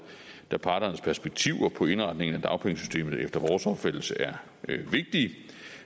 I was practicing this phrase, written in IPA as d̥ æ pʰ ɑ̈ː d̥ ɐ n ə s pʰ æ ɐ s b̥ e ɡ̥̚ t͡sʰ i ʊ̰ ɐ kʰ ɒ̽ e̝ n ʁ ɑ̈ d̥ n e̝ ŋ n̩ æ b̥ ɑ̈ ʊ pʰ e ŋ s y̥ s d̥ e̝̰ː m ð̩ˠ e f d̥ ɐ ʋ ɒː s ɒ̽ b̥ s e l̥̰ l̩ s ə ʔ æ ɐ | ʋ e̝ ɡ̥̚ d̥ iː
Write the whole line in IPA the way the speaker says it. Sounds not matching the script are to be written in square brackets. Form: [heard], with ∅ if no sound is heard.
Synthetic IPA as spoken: d̥ æ pʰ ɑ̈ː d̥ ɐ n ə s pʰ æ ɐ s b̥ e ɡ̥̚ t͡sʰ i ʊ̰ ɐ [pʰ] ɒ̽ e̝ n ʁ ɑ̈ d̥ n e̝ ŋ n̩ æ [d̥] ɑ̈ ʊ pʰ e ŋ s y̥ s d̥ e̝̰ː m ð̩ˠ e f d̥ ɐ ʋ ɒː s ɒ̽ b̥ [f] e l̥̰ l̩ s ə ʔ æ ɐ | ʋ e̝ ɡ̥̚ d̥ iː